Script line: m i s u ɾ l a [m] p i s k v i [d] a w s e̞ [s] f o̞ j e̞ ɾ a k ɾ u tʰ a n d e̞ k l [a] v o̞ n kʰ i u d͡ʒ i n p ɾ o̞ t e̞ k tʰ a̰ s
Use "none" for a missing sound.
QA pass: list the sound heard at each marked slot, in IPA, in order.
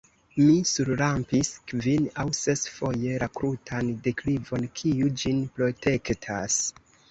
m, n, s, i

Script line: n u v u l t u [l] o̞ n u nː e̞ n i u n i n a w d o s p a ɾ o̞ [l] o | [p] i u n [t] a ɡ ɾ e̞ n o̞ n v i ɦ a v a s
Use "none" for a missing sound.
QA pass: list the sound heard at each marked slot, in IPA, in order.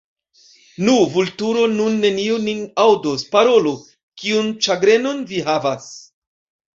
ɾ, l, k, t͡ʃ

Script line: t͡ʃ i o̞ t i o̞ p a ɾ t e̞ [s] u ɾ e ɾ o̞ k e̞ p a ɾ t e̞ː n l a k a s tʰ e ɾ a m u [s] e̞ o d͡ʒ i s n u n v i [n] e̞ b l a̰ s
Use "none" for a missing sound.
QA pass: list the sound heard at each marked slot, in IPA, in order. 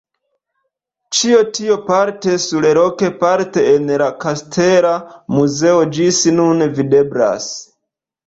s, z, d

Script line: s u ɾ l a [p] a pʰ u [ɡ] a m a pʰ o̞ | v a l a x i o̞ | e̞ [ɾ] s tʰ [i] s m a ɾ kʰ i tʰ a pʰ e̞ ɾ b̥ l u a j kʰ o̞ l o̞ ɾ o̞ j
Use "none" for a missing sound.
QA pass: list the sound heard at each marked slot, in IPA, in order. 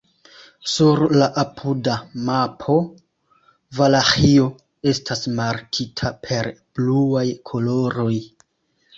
ʔ, d, none, a

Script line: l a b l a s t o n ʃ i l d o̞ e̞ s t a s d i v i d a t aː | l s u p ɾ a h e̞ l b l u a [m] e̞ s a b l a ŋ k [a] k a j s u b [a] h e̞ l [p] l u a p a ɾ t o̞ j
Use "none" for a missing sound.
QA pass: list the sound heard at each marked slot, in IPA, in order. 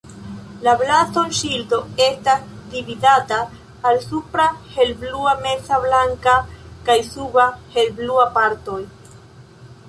m, a, a, b

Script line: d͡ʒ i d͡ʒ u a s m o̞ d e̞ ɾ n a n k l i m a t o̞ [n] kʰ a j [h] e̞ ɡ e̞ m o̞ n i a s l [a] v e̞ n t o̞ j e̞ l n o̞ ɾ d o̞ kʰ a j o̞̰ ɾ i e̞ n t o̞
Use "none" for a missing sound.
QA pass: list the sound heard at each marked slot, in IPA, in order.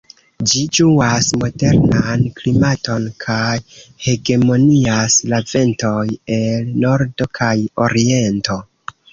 n, h, a

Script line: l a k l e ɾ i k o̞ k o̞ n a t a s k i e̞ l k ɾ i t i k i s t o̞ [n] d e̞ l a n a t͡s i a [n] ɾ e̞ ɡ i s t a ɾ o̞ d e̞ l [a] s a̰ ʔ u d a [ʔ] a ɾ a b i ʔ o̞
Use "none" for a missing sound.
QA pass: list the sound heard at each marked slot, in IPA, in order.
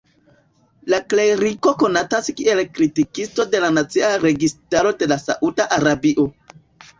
none, none, a, ʔ

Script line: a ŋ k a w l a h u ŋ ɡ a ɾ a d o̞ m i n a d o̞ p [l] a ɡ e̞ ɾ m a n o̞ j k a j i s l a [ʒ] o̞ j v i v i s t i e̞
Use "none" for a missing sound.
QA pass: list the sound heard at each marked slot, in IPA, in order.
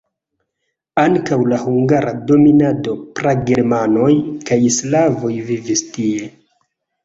ɾ, v

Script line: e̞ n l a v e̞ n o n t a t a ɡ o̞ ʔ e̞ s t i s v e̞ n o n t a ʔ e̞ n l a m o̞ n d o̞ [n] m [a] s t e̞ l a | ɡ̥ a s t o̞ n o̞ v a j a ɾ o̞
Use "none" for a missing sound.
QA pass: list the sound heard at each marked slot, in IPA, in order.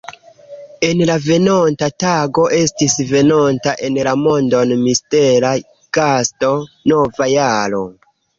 n, i

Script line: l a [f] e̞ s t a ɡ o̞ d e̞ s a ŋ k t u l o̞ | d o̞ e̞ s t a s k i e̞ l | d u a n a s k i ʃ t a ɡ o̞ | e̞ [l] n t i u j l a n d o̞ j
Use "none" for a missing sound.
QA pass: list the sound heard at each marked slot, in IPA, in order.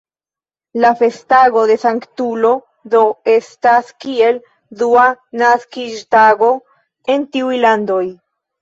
f, none

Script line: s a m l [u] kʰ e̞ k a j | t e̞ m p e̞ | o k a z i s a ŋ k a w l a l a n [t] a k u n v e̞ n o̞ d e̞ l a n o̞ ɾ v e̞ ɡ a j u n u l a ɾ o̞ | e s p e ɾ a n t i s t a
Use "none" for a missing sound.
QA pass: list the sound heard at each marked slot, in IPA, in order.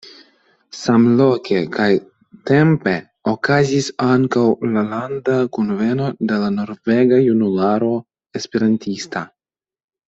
o, d

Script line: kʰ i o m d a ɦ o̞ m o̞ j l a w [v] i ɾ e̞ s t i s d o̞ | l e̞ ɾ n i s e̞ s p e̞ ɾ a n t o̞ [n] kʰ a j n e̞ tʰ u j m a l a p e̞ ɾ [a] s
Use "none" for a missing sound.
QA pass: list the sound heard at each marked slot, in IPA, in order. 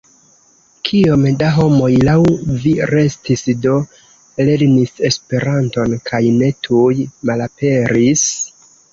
v, n, i

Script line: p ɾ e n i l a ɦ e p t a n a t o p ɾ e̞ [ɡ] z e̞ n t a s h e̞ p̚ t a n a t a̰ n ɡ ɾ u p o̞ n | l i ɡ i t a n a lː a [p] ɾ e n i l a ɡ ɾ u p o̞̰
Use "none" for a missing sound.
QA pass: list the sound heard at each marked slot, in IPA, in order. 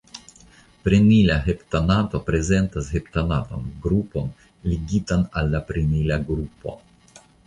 none, p

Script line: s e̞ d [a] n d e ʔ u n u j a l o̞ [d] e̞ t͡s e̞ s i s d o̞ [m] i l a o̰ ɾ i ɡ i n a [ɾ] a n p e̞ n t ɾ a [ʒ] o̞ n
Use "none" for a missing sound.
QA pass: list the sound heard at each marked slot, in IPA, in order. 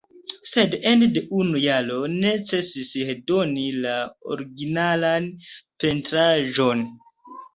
e, n, n, l, ʒ

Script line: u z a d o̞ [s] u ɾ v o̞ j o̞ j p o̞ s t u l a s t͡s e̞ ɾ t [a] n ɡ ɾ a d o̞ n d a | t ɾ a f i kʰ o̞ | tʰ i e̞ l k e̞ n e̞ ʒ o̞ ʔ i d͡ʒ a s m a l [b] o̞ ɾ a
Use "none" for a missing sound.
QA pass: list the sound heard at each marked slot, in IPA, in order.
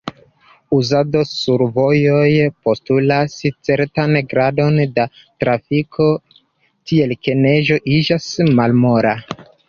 s, a, m

